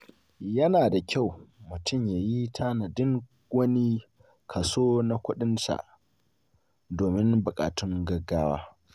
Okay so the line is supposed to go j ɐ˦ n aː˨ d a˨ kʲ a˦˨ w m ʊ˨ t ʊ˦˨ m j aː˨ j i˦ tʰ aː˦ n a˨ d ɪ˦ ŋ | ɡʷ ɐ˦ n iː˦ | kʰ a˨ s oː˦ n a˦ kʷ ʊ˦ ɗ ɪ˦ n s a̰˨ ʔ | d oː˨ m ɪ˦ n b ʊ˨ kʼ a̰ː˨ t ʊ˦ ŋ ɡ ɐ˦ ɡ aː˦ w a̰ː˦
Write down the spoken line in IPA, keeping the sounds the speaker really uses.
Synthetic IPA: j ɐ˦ n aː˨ d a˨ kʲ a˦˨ w m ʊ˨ t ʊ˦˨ m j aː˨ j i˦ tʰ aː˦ n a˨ d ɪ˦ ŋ | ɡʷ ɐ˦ n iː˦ | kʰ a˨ s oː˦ n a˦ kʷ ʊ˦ ɗ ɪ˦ n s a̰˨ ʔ | d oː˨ m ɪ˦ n b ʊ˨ kʼ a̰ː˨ t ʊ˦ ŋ ɡ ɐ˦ ɡ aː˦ w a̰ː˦